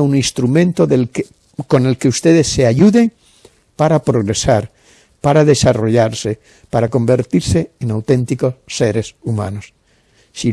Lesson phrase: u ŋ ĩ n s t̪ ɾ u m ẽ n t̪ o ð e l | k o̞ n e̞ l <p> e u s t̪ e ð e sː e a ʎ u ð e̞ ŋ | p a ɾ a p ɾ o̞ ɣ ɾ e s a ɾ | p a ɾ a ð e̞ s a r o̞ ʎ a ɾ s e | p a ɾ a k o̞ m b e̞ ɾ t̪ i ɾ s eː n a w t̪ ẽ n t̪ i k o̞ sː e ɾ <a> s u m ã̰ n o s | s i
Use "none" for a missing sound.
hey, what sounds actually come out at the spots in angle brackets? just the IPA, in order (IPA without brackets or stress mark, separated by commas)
k, e